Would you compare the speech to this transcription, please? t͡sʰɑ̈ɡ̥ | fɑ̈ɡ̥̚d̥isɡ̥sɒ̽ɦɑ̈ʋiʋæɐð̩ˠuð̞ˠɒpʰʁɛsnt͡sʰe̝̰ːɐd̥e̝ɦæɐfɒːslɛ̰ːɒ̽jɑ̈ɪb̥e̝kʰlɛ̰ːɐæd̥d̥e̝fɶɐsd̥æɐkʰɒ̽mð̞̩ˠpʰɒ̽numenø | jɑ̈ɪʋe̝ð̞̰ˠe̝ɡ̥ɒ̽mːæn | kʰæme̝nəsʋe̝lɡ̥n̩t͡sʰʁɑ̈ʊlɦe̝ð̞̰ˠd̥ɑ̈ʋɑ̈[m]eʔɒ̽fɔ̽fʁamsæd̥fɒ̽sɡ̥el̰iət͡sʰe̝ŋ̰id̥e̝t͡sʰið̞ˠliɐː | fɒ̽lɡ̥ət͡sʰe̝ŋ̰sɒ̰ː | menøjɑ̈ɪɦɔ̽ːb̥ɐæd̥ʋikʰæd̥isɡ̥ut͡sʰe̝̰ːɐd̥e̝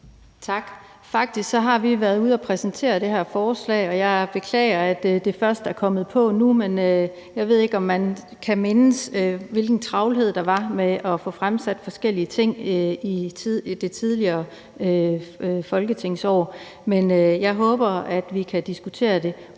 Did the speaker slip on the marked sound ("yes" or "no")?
no